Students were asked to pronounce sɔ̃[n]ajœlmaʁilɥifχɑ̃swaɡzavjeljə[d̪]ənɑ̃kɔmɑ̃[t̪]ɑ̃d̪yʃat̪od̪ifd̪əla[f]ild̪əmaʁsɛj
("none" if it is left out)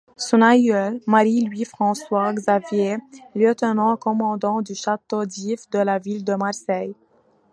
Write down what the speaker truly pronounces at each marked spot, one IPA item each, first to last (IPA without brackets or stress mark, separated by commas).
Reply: n, t̪, d̪, v